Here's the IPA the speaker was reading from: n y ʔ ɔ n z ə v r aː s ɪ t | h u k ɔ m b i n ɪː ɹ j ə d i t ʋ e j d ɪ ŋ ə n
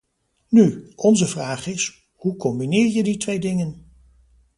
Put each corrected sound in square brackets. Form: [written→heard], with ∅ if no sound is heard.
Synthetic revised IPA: n y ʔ ɔ n z ə v r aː [s→χ] ɪ [t→s] | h u k ɔ m b i n ɪː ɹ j ə d i t ʋ e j d ɪ ŋ ə n